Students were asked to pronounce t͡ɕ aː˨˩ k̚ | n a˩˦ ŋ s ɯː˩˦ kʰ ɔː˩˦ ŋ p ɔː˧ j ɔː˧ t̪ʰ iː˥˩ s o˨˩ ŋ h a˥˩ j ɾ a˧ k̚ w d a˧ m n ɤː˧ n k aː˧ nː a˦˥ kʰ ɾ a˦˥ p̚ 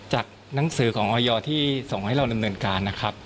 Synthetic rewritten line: t͡ɕ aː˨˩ k̚ | n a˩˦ ŋ s ɯː˩˦ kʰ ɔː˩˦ ŋ ʔ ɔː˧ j ɔː˧ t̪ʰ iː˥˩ s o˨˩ ŋ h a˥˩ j ɾ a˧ w d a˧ m n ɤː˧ n k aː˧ nː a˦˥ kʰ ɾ a˦˥ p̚